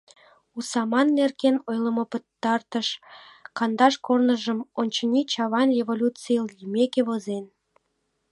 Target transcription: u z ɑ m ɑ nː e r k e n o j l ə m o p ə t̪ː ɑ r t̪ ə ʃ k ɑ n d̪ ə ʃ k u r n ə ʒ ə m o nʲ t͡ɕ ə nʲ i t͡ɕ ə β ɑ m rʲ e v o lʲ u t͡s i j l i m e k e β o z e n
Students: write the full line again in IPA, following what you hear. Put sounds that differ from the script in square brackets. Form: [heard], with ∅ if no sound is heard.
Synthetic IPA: u [s] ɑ m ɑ nː e r k e n o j l ə m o p ə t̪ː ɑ r t̪ ə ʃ k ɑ n d̪ [ɑ] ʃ k [o] r n ə ʒ ə m o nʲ t͡ɕ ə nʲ i t͡ɕ [ɑ] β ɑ [n] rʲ e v o lʲ u t͡s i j l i m e k e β o z e n